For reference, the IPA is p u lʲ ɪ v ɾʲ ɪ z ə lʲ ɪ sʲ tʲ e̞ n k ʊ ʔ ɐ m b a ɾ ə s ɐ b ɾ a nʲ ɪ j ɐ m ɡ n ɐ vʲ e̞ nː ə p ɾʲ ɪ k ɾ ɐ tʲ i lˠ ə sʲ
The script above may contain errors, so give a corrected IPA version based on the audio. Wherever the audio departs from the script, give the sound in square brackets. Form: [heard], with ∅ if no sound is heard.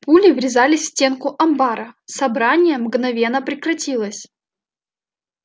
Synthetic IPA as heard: p u lʲ ɪ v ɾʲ ɪ z [a] lʲ ɪ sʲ tʲ e̞ n k ʊ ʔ ɐ m b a ɾ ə s ɐ b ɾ a nʲ ɪ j [ə] m ɡ n ɐ vʲ e̞ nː ə p ɾʲ ɪ k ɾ ɐ tʲ i lˠ ə sʲ